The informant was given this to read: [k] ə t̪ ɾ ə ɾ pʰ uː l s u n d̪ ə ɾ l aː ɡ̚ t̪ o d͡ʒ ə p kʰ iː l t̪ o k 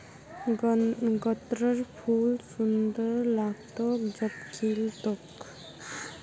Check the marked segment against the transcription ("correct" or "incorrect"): incorrect